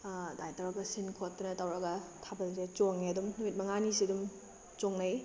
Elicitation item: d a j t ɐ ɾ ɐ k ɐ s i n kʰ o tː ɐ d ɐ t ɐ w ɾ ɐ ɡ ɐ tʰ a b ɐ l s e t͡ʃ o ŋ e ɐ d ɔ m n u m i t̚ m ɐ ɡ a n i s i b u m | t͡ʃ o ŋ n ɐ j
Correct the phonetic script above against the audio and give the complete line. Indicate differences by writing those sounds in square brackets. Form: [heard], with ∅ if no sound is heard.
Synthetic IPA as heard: d a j t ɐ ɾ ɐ k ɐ s i n kʰ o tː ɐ [n] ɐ t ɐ w ɾ ɐ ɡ ɐ tʰ a b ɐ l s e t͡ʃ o ŋ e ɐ d [u] m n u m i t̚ m ɐ [ŋ] a n i s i [d] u m | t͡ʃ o ŋ n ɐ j